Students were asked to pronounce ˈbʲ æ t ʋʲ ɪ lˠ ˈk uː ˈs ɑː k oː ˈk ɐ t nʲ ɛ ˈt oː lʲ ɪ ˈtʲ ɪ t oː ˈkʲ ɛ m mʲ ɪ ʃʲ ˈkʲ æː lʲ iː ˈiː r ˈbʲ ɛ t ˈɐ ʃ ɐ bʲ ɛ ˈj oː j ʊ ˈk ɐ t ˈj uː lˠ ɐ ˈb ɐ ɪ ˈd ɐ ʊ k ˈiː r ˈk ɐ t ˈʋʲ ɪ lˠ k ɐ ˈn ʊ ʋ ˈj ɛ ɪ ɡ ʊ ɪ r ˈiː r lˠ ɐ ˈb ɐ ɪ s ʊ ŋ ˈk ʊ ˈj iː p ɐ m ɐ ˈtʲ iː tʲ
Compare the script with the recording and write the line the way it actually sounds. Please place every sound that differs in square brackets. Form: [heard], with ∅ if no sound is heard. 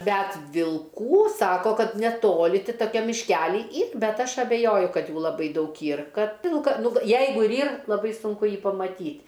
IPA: ˈbʲ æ t ʋʲ ɪ lˠ ˈk uː ˈs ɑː k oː ˈk ɐ t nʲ ɛ ˈt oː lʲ ɪ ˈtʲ ɪ t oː ˈkʲ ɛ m mʲ ɪ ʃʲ ˈkʲ æː lʲ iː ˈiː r ˈbʲ ɛ t ˈɐ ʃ ɐ bʲ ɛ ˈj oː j ʊ ˈk ɐ t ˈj uː lˠ ɐ ˈb ɐ ɪ ˈd ɐ ʊ k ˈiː r ˈk ɐ t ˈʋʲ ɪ lˠ k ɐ ˈn ʊ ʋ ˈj ɛ ɪ ɡ ʊ ɪ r ˈiː r lˠ ɐ ˈb ɐ ɪ s ʊ ŋ ˈk ʊ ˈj iː p ɐ m ɐ ˈtʲ iː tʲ

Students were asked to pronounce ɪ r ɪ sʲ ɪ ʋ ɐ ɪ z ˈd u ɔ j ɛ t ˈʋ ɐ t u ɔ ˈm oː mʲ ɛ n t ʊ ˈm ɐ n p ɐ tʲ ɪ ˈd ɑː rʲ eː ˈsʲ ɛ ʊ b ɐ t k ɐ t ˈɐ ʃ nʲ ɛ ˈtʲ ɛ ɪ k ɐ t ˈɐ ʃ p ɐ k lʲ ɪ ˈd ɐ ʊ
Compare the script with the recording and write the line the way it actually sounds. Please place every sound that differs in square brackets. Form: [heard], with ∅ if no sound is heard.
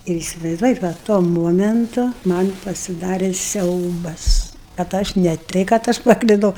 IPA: ɪ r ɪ sʲ ɪ ʋ ɐ ɪ z ˈd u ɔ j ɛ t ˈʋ ɐ t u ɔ ˈm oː mʲ ɛ n t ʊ ˈm ɐ n p ɐ [sʲ] ɪ ˈd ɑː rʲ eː ˈsʲ ɛ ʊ b ɐ [s] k ɐ t ˈɐ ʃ nʲ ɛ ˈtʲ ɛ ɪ k ɐ t ˈɐ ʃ p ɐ k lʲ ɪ ˈd ɐ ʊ

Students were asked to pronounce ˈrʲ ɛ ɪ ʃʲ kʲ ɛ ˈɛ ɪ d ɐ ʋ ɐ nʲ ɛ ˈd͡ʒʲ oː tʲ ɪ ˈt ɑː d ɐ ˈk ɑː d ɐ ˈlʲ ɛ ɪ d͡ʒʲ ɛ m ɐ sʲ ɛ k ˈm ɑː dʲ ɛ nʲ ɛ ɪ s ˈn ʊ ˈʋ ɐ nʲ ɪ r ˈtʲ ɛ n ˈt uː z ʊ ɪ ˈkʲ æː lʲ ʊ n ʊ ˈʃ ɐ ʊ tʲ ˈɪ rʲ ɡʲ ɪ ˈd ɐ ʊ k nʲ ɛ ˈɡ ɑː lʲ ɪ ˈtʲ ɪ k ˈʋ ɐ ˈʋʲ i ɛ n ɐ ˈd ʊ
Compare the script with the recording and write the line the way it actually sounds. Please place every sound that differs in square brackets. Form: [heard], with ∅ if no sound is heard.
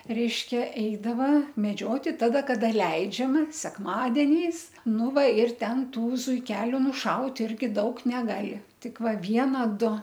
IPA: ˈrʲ ɛ ɪ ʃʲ kʲ ɛ ˈɛ ɪ d ɐ ʋ ɐ [mʲ] ɛ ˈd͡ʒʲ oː tʲ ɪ ˈt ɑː d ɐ ˈk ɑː d ɐ ˈlʲ ɛ ɪ d͡ʒʲ ɛ m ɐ sʲ ɛ k ˈm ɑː dʲ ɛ nʲ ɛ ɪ s ˈn ʊ ˈʋ ɐ [∅] ɪ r ˈtʲ ɛ n ˈt uː z ʊ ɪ ˈkʲ æː lʲ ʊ n ʊ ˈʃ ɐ ʊ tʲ ˈɪ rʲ ɡʲ ɪ ˈd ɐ ʊ k nʲ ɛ ˈɡ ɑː lʲ ɪ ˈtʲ ɪ k ˈʋ ɐ ˈʋʲ i ɛ n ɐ ˈd ʊ

